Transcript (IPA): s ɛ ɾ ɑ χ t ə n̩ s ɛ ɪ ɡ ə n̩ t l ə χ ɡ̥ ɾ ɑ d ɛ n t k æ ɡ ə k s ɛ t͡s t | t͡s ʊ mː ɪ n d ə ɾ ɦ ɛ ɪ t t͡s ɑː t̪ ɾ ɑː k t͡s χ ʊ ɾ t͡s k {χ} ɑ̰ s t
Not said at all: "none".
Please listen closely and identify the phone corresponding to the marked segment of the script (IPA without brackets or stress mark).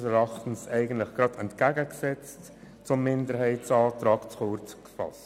f